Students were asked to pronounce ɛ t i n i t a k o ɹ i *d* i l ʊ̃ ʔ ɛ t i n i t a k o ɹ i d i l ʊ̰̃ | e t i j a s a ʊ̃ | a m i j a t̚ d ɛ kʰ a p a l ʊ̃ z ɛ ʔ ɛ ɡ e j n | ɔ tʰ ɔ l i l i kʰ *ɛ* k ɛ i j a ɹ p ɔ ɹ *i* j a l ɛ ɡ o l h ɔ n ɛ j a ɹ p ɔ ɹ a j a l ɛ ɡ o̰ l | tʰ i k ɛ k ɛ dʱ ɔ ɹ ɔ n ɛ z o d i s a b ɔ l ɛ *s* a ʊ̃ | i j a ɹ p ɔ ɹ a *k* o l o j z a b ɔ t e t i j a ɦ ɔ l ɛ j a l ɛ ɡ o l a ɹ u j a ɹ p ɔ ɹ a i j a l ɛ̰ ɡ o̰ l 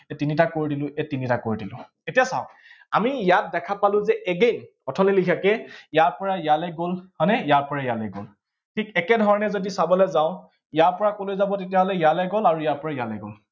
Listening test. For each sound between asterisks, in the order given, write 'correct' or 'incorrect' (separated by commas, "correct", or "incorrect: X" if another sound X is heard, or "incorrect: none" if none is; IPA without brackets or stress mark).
correct, incorrect: a, incorrect: a, incorrect: z, correct